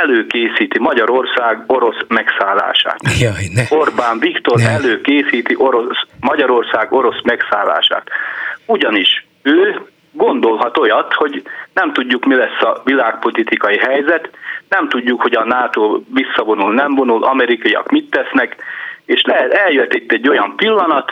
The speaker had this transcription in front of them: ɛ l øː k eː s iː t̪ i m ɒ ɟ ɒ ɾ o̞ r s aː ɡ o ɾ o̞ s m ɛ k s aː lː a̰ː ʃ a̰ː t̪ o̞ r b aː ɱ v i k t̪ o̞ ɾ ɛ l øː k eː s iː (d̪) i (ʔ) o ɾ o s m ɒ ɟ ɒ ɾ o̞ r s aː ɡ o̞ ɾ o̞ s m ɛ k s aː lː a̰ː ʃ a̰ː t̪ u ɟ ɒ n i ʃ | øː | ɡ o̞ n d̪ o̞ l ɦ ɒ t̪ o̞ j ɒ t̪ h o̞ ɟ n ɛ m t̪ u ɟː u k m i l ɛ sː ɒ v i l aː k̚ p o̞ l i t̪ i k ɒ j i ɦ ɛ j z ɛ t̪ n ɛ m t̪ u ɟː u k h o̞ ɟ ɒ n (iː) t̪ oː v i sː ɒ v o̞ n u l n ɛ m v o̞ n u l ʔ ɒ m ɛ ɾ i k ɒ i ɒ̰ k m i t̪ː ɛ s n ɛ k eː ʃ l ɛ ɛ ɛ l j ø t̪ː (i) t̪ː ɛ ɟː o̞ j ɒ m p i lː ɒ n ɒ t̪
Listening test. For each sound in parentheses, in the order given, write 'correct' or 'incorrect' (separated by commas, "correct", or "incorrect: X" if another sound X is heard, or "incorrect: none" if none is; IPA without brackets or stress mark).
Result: incorrect: t̪, correct, incorrect: aː, correct